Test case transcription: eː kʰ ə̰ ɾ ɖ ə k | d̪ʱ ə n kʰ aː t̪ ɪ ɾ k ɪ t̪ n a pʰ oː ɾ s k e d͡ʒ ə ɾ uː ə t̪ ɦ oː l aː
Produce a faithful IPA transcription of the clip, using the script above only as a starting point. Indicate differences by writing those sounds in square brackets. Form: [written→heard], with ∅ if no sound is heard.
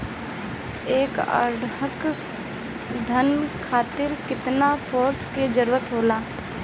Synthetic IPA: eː [kʰ→k] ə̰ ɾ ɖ ə k | d̪ʱ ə n kʰ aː t̪ ɪ ɾ k ɪ t̪ n a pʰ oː ɾ s k e d͡ʒ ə ɾ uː ə t̪ ɦ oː l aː